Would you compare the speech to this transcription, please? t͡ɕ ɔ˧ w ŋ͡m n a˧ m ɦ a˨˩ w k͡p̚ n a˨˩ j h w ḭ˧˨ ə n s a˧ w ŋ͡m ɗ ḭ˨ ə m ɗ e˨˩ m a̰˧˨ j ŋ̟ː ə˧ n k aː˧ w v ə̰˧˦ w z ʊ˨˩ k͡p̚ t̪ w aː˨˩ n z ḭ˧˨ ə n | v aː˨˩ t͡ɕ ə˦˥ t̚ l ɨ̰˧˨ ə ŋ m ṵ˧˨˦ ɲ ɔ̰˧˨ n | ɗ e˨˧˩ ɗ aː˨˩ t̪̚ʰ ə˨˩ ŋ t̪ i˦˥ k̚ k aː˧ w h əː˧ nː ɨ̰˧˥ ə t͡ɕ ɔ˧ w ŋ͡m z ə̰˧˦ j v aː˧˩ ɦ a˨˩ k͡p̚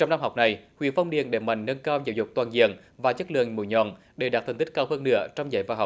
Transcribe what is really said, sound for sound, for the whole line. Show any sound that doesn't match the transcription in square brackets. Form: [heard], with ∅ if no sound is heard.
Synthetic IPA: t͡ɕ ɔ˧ w ŋ͡m n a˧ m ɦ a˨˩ w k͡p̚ n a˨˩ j h w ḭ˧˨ ə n [f] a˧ w ŋ͡m ɗ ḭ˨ ə [n] ɗ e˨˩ m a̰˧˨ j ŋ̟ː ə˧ n k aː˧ w [z] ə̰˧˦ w z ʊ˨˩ k͡p̚ t̪ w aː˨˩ n z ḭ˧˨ ə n | v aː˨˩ t͡ɕ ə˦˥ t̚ l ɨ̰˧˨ ə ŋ m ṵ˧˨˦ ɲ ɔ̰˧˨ n | ɗ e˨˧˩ ɗ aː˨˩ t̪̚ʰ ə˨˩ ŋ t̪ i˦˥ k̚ k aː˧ w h əː˧ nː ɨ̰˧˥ ə t͡ɕ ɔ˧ w ŋ͡m z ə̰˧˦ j v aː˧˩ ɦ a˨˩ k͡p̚